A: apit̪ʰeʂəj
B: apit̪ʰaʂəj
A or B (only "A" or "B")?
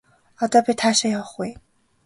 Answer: B